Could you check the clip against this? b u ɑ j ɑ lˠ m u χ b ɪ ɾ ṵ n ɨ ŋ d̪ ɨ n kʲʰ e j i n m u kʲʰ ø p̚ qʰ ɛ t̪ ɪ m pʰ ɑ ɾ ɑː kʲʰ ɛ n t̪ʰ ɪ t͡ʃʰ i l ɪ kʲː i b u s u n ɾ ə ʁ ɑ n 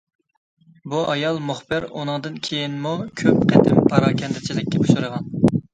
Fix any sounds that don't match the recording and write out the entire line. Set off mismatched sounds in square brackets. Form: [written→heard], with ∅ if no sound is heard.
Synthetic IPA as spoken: b u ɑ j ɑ lˠ m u χ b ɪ ɾ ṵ n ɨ ŋ d̪ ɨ n kʲʰ e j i n m u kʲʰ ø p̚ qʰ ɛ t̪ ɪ m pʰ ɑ ɾ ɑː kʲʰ ɛ n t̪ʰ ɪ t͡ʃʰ i l ɪ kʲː [i→ɛ] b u [s→ʃ] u [n→∅] ɾ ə ʁ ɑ n